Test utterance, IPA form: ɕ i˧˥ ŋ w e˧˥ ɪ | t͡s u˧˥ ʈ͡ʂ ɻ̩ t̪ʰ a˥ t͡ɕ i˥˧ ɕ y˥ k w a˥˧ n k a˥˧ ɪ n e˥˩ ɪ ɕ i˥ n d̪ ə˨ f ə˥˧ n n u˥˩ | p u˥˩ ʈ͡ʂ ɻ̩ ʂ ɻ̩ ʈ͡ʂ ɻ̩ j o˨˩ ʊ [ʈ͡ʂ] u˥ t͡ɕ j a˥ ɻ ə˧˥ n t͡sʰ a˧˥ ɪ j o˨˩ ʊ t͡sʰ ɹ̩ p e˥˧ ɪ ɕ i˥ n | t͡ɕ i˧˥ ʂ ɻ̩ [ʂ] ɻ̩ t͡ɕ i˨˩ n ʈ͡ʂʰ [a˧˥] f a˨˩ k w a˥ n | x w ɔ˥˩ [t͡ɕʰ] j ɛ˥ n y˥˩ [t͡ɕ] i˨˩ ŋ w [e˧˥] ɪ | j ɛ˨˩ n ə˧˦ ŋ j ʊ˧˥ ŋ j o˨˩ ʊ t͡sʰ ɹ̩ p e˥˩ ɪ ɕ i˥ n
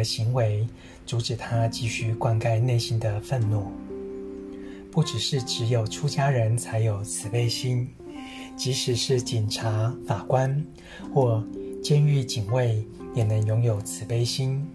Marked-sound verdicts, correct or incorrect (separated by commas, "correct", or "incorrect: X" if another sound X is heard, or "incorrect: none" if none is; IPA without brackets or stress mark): incorrect: ʈ͡ʂʰ, correct, correct, incorrect: t͡ɕ, correct, incorrect: e˥˩